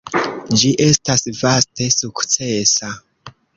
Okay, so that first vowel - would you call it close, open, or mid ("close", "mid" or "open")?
close